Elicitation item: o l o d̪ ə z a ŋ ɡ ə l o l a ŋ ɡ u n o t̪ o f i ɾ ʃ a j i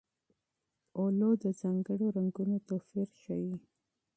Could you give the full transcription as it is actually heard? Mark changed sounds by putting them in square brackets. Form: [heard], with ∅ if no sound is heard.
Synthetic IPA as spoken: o l o d̪ ə z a ŋ ɡ ə [ɽ] o [ɾ] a ŋ ɡ u n o t̪ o f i ɾ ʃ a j i